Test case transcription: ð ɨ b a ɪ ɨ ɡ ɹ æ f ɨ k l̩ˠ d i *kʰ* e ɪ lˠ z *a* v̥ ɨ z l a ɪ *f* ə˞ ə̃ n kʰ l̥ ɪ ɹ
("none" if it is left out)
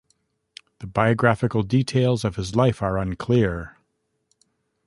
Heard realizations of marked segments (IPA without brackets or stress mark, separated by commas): tʰ, ʌ, f